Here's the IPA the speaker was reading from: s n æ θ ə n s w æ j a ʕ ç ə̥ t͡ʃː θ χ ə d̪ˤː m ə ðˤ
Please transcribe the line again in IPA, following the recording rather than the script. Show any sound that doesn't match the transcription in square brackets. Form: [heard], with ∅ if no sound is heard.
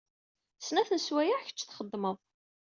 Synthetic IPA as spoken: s n æ θ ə n s w æ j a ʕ ç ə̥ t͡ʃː θ χ ə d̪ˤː m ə ðˤ